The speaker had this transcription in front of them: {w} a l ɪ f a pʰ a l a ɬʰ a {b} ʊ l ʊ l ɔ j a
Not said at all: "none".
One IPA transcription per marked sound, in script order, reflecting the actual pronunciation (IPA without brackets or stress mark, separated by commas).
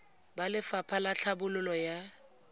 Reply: b, b